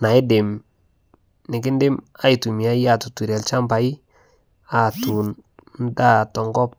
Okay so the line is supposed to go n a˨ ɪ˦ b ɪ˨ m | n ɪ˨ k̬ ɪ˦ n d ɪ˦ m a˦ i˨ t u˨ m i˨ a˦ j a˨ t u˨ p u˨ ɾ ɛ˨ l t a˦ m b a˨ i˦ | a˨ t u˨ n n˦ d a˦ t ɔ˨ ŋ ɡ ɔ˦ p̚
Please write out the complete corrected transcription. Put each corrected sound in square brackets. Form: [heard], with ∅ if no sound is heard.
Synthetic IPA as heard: n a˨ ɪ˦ [d] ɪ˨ m | n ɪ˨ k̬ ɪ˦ n d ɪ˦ m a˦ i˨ t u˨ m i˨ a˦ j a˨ t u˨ [t] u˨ ɾ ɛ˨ l [t͡ʃ] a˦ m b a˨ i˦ | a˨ t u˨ n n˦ d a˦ t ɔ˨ ŋ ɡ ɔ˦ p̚